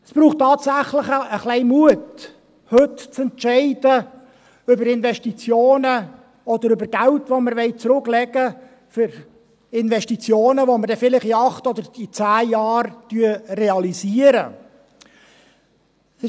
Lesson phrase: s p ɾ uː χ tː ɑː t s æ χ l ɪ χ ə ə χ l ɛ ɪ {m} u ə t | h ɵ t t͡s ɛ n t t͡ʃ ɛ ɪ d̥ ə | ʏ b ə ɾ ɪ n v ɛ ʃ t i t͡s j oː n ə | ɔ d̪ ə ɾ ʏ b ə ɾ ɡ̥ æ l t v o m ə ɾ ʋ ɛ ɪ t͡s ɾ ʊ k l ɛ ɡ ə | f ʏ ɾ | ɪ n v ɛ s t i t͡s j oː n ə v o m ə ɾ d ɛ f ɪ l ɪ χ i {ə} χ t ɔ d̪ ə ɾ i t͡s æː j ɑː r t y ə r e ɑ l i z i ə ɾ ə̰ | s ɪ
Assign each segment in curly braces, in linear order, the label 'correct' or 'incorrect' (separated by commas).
correct, incorrect